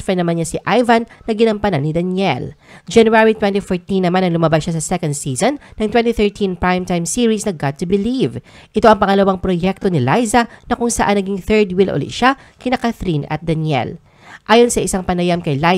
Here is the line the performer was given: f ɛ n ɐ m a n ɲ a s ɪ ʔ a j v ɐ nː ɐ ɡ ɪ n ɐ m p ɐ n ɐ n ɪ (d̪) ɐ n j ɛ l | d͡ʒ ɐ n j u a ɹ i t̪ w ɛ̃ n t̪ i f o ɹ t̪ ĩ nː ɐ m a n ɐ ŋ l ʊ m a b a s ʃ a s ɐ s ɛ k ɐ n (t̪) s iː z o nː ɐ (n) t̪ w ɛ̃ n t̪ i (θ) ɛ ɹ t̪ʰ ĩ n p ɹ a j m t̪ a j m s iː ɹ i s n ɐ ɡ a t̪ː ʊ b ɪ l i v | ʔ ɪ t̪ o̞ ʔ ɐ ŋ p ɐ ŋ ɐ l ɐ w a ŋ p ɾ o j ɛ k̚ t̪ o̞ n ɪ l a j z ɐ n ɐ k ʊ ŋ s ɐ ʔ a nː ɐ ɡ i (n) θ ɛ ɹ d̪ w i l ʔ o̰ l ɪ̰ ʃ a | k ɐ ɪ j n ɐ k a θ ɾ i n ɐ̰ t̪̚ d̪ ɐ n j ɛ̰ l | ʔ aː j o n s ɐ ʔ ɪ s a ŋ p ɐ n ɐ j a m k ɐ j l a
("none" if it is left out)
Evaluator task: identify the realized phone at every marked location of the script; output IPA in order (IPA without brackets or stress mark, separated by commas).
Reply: d̪, d̪, ŋ, θ, ŋ